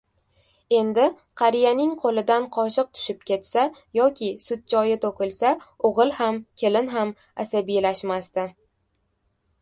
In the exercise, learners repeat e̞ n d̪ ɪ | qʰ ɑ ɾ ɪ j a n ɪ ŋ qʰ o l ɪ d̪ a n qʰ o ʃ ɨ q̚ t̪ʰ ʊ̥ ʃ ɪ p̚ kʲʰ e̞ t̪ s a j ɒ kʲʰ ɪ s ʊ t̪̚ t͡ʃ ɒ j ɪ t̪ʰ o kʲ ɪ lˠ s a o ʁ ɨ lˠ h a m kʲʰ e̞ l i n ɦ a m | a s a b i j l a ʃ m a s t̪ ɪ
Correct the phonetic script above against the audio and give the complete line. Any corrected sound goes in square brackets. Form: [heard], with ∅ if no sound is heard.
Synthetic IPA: e̞ n d̪ ɪ | qʰ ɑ ɾ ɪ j a n ɪ ŋ qʰ o l ɪ d̪ a n qʰ [ɒ] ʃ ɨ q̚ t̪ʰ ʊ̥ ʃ ɪ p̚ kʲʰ e̞ t̪ s a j ɒ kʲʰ ɪ s ʊ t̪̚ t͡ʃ ɒ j ɪ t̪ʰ o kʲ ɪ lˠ s a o ʁ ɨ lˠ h a m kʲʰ e̞ l [ɪ] n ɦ a m | a s a b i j l a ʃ m a s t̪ ɪ